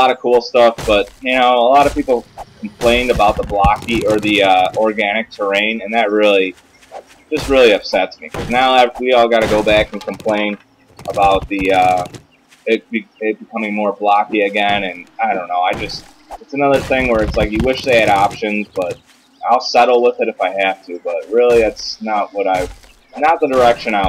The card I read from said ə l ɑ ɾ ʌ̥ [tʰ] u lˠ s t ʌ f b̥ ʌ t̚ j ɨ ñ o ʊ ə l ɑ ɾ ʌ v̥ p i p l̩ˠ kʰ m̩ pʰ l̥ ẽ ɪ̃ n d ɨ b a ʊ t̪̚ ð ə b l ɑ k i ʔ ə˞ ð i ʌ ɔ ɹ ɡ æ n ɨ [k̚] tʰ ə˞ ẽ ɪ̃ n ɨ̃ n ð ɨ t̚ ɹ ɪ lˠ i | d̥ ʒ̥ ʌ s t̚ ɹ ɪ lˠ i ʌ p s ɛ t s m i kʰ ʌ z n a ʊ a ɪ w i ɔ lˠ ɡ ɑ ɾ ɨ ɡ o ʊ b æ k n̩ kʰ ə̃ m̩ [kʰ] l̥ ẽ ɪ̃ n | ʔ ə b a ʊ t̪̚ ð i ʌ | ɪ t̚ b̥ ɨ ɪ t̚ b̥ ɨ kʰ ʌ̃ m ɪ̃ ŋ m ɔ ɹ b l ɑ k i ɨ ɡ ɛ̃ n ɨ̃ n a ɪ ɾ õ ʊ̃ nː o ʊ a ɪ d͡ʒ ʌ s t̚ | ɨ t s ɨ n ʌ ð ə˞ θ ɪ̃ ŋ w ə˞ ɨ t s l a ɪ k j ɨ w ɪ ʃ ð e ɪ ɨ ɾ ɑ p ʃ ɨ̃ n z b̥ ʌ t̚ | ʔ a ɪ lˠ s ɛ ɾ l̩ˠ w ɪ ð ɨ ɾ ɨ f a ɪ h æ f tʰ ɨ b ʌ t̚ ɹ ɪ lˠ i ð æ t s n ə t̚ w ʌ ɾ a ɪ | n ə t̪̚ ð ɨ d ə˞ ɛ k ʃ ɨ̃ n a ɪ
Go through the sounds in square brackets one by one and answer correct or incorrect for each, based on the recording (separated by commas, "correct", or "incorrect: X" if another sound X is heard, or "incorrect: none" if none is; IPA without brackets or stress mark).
incorrect: kʰ, correct, incorrect: pʰ